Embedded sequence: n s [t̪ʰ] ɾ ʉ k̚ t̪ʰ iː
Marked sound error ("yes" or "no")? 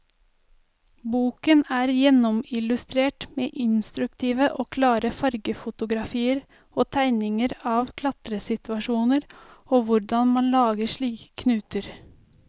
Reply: yes